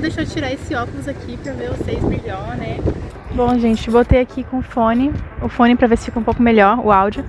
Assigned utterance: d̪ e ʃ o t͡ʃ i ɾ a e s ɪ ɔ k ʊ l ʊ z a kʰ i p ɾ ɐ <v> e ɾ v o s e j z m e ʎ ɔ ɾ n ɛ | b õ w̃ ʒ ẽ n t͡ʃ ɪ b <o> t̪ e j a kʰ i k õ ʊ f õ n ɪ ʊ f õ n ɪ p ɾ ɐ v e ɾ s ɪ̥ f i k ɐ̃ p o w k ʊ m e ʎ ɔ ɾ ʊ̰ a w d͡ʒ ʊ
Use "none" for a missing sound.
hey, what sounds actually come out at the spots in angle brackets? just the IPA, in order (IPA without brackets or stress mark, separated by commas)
v, o